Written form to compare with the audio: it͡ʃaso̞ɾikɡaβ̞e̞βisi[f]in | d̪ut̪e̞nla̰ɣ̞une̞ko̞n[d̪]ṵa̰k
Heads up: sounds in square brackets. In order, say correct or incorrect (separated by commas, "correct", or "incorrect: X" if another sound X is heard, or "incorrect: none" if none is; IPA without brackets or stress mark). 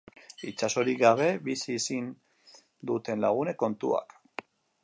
incorrect: s, incorrect: t̪